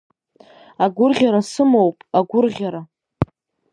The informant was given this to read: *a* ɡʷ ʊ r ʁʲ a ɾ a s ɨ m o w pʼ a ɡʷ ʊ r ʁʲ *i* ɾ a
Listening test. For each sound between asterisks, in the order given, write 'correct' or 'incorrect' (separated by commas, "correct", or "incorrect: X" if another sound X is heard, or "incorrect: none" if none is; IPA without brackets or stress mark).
correct, incorrect: a